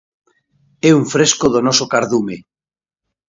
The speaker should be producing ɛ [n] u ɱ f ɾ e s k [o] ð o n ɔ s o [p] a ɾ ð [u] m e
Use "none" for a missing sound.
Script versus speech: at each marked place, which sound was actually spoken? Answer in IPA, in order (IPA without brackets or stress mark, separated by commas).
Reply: none, o, k, u